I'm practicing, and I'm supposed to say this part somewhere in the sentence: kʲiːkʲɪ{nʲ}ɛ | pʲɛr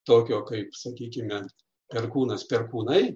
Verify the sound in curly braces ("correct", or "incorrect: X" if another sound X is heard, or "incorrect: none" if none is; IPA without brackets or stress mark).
incorrect: mʲ